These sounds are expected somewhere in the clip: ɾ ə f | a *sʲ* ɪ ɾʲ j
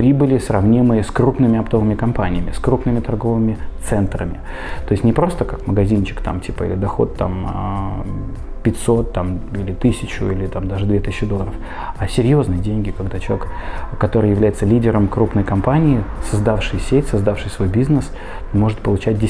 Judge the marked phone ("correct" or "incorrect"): correct